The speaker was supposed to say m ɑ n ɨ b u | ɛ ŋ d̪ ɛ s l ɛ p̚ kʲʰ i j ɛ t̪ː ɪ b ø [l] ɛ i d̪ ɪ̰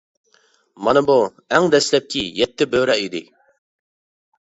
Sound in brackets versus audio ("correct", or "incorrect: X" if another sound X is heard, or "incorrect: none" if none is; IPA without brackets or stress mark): incorrect: ɾ